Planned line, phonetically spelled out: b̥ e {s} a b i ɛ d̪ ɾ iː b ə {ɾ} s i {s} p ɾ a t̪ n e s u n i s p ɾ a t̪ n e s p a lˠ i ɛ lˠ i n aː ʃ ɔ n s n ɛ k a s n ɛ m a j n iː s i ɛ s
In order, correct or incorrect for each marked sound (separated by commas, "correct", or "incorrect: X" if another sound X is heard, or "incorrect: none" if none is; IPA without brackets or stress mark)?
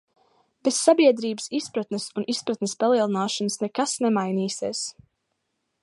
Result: incorrect: sː, incorrect: none, correct